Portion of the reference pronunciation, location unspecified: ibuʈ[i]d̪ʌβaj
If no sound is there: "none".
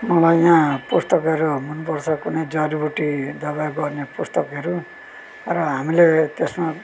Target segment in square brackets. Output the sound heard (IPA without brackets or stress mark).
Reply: i